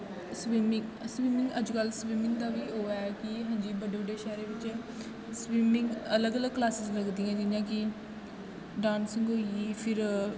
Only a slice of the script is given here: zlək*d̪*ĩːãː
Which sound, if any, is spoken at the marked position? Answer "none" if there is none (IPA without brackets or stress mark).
d̪